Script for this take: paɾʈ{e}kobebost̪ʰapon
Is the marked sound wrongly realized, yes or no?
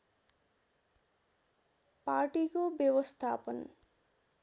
yes